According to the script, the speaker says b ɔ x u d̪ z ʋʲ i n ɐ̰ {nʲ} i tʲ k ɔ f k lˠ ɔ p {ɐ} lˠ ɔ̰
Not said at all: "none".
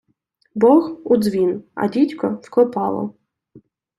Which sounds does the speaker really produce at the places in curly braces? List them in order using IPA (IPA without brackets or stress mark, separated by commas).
dʲ, ɑ